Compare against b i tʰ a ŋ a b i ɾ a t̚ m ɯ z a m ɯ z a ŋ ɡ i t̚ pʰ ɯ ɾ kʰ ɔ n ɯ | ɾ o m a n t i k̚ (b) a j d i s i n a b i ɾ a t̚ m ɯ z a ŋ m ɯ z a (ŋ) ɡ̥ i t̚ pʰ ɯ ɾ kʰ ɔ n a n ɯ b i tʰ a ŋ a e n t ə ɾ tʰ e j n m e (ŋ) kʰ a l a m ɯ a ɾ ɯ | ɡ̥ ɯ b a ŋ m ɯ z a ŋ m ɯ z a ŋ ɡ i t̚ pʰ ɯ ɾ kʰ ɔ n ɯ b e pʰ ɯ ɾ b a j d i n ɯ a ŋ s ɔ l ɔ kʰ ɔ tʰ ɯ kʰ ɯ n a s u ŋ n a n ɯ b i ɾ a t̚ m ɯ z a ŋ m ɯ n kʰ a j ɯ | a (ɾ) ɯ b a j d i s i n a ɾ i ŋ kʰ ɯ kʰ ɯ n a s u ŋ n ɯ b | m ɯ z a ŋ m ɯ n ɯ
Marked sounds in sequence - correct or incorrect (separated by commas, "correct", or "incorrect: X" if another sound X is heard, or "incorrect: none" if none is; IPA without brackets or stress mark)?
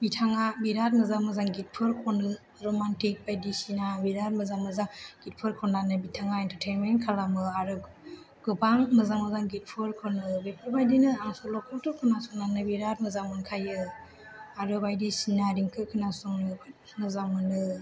correct, correct, incorrect: n, correct